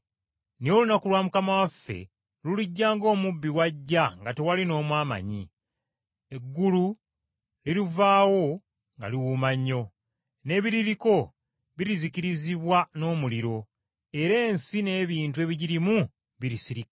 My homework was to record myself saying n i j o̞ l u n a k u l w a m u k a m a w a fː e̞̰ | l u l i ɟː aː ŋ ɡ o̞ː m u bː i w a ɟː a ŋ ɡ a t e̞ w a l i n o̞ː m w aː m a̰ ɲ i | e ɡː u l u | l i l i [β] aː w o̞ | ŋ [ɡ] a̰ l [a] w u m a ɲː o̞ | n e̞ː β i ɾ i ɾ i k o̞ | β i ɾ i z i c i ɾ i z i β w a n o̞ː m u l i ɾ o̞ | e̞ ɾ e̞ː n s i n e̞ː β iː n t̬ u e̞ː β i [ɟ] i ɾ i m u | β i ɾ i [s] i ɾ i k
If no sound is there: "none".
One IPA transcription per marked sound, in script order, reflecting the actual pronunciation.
v, ɡ, i, ɟ, s

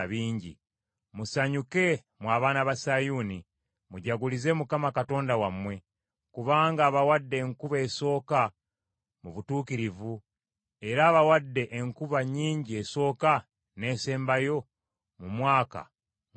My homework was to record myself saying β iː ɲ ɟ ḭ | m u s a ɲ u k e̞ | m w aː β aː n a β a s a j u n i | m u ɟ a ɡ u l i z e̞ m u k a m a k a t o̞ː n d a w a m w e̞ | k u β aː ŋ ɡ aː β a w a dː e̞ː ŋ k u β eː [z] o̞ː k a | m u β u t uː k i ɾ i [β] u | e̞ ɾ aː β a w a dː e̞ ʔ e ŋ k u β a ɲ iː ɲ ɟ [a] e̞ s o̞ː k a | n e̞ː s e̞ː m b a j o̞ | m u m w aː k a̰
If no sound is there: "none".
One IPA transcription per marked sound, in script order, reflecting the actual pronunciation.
s, v, i

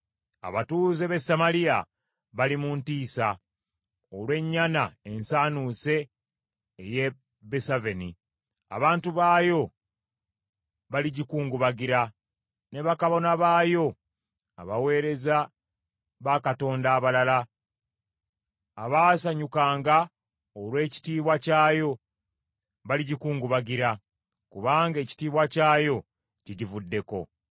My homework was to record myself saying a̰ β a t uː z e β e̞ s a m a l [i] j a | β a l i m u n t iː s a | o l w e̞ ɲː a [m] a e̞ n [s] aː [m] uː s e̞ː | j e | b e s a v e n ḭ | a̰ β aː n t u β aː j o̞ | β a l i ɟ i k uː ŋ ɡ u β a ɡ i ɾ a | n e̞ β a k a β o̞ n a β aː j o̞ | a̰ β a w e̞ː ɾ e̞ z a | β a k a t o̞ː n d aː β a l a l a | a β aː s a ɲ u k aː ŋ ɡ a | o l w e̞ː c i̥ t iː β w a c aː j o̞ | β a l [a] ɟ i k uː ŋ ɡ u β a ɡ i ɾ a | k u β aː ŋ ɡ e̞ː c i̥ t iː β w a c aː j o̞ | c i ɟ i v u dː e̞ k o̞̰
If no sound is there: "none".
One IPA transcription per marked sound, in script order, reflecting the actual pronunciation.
i, n, s, n, i

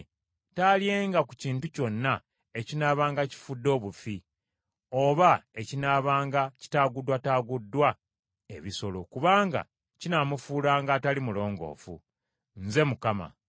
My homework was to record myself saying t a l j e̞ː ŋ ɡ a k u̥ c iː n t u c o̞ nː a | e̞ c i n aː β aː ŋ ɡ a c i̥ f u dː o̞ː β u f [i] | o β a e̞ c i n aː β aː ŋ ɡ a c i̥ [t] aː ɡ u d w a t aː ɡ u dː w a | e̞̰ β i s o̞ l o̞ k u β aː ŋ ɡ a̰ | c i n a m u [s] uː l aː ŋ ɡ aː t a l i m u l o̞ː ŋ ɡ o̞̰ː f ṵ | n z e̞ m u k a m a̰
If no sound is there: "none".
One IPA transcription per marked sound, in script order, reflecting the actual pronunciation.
i, t, f

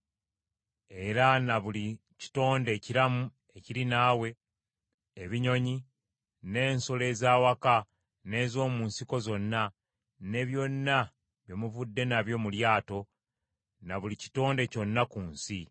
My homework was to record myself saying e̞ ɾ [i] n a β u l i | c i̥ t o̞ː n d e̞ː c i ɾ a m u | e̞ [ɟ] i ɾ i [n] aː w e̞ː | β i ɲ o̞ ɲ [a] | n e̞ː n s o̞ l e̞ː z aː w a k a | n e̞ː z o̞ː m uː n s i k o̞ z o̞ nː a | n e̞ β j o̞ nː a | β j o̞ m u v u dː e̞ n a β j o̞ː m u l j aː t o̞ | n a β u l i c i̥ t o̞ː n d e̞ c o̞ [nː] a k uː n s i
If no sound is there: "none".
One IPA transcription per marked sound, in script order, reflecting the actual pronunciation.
a, c, n, i, nː

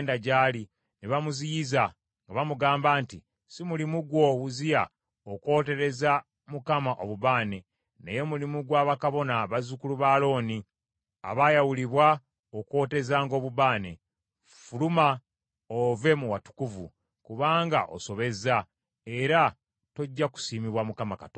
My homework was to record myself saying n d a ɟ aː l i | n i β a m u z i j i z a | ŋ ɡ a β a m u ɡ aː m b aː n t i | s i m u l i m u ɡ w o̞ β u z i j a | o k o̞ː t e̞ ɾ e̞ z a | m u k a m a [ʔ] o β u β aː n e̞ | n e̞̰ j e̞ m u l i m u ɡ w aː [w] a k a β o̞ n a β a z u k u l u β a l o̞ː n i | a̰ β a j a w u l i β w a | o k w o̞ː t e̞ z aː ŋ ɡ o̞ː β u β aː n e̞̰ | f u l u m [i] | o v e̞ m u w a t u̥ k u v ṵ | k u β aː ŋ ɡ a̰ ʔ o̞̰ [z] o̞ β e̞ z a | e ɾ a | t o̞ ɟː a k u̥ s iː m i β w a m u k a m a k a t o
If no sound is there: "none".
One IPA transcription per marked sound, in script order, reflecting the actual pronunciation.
ʔ, β, a, s

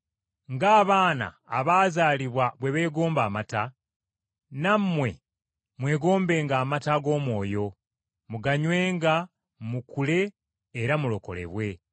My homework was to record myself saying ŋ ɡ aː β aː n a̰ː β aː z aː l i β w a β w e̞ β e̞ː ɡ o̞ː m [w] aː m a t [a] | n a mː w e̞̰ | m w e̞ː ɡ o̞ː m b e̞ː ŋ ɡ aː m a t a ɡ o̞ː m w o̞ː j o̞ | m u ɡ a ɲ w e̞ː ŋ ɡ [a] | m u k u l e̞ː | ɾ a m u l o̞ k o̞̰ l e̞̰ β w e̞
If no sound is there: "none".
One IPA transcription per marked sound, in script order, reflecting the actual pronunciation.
b, a, a

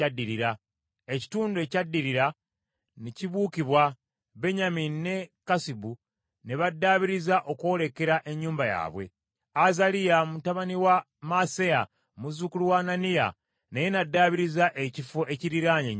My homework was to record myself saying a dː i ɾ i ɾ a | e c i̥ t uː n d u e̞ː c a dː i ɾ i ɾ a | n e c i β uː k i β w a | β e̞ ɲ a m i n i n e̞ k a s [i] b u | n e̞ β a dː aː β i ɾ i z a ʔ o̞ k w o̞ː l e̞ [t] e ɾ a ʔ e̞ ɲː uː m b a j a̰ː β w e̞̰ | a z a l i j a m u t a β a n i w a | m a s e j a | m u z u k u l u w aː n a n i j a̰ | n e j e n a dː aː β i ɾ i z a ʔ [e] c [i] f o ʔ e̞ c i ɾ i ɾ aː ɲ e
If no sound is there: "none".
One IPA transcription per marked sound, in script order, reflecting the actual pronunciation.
i, k, e, i

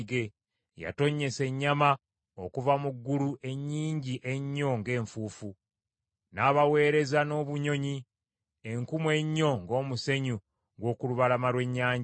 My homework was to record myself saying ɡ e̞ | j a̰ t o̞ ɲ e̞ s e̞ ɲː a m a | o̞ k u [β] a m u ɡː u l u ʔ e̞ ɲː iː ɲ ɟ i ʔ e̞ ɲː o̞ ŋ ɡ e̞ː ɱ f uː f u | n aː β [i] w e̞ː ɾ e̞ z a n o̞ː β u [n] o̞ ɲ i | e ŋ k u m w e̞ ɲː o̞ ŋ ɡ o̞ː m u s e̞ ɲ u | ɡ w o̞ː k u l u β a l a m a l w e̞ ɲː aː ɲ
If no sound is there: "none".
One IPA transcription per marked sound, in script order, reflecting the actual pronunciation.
v, a, ɲ

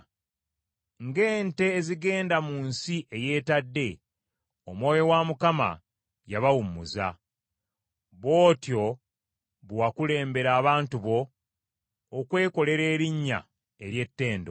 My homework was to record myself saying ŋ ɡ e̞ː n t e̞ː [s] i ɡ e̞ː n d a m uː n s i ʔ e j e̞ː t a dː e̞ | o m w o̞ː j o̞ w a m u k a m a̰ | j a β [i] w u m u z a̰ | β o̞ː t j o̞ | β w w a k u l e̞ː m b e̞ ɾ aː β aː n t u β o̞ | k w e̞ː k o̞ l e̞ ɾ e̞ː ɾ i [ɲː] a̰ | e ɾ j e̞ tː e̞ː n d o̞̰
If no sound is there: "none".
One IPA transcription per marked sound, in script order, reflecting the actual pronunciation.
z, a, ɲː

